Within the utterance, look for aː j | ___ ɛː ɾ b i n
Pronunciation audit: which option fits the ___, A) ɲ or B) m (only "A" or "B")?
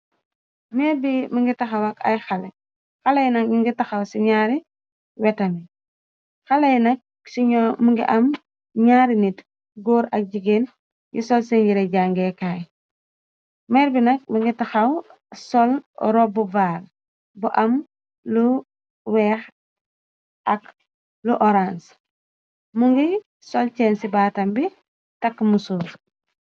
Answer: B